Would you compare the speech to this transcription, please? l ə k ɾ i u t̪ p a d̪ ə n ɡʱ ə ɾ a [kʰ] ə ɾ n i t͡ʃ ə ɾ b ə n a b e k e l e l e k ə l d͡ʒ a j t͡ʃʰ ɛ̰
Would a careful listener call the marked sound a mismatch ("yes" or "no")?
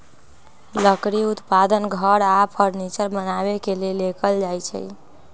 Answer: yes